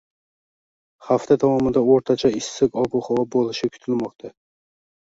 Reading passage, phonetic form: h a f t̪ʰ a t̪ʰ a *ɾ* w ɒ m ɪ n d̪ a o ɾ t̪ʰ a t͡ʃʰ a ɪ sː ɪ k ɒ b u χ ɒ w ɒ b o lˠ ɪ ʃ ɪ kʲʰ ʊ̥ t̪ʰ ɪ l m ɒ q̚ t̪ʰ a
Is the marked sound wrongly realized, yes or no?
yes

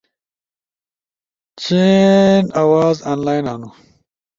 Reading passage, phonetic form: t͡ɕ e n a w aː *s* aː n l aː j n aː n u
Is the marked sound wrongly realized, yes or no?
yes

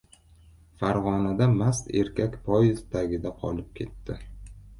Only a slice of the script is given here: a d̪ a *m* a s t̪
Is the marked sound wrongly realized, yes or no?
no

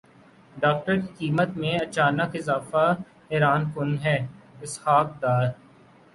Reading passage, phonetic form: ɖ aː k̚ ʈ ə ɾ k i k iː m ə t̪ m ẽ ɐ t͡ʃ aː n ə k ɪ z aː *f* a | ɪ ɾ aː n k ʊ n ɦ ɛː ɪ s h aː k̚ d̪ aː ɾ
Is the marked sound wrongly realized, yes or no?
no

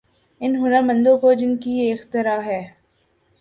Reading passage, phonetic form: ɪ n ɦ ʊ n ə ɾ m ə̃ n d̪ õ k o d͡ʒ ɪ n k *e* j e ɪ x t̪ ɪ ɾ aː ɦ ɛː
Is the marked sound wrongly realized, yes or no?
yes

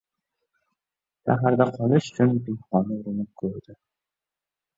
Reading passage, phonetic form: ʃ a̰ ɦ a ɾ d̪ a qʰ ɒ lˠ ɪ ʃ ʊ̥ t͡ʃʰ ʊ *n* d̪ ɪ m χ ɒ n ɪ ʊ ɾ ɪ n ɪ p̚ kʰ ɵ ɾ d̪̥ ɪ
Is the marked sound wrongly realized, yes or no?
no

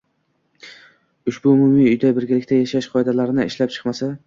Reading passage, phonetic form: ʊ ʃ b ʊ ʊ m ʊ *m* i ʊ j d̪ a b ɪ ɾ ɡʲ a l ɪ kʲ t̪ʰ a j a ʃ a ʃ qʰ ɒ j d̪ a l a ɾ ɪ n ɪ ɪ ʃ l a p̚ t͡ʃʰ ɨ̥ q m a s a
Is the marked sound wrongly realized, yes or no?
no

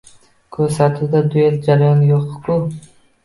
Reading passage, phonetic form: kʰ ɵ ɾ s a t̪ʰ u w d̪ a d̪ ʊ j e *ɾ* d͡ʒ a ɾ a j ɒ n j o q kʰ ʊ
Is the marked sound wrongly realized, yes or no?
yes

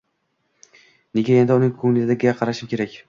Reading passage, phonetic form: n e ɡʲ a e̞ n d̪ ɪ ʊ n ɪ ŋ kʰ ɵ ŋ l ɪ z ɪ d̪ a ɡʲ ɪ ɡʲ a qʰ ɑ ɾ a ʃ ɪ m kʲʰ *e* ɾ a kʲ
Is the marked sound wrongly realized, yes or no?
no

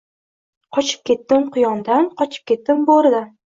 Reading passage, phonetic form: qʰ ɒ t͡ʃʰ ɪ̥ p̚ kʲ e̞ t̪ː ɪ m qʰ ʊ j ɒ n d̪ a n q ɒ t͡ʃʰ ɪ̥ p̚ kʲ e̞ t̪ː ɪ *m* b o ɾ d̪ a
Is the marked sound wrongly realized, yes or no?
no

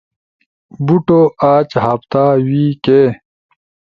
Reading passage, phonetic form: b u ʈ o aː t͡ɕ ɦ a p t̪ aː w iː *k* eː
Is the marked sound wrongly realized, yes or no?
no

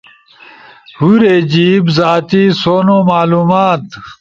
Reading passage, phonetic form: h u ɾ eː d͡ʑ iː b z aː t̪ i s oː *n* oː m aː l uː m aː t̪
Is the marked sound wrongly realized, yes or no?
no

